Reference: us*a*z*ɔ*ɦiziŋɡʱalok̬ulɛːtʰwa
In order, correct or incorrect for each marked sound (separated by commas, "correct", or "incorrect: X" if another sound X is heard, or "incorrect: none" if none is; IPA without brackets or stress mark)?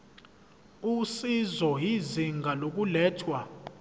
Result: incorrect: i, correct